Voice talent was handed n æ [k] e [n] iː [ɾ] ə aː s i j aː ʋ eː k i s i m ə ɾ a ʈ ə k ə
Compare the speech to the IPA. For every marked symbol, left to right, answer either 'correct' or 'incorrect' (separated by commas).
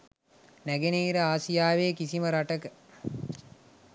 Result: incorrect, correct, correct